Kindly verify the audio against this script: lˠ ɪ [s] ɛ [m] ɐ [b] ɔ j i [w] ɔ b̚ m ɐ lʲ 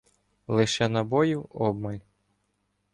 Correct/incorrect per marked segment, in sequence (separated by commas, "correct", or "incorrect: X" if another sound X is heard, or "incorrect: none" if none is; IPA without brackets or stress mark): incorrect: ʃ, incorrect: n, correct, correct